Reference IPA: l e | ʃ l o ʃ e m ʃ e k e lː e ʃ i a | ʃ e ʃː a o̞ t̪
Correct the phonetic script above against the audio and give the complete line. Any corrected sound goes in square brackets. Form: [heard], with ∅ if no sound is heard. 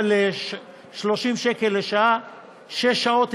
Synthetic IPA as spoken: l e | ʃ l o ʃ [i] m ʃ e k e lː e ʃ [a] a | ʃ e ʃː a o̞ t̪